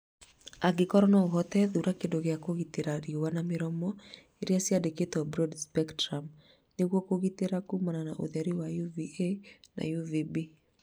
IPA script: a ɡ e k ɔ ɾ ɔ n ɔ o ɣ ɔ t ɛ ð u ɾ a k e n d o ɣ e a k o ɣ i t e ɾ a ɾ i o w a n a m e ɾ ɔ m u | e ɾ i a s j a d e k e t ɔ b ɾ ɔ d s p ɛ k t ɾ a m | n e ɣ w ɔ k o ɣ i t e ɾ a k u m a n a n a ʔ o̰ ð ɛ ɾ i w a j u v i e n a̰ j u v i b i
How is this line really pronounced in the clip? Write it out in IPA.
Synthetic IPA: a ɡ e k ɔ ɾ ɔ n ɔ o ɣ ɔ t ɛ ð u ɾ a k e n d o ɣ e a k o ɣ i t e ɾ a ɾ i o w a n a m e ɾ ɔ m ɔ | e ɾ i a s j a d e k e t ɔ b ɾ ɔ d s p ɛ k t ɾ a m | n e ɣ w ɔ k o ɣ i t e ɾ a k u m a n a n a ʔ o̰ ð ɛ ɾ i w a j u v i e n a̰ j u v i b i